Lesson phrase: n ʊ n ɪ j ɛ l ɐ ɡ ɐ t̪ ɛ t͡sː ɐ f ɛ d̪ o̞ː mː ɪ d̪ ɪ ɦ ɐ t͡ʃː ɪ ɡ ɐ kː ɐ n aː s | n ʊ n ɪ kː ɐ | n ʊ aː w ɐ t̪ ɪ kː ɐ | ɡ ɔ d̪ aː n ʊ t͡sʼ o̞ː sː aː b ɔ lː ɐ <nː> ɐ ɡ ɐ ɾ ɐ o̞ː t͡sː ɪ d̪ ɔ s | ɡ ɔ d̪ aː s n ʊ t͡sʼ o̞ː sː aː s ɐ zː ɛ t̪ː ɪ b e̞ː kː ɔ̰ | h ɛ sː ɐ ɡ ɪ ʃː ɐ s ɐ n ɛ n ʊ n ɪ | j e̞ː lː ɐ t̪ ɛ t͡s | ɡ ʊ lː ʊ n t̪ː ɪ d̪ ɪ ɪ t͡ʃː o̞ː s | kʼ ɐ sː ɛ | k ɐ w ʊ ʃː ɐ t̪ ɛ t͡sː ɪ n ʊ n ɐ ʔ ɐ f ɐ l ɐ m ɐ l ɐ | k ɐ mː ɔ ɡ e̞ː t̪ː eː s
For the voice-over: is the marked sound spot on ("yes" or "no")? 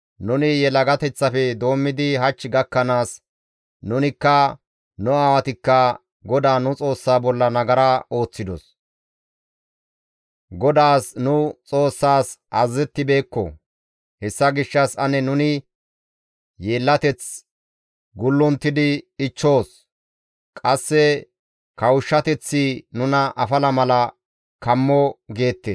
no